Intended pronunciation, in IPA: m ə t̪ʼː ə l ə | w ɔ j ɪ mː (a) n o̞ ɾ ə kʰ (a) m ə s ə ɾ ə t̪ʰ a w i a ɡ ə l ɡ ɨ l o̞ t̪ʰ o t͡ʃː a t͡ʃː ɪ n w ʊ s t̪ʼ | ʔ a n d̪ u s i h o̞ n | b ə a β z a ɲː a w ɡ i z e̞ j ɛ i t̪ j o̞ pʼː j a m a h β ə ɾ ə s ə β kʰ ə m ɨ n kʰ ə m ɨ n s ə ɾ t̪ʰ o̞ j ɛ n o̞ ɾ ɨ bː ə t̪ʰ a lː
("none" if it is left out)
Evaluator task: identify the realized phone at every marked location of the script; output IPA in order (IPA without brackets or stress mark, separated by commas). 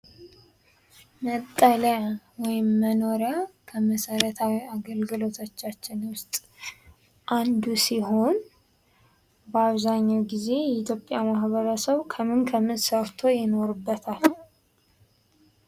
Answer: ə, ə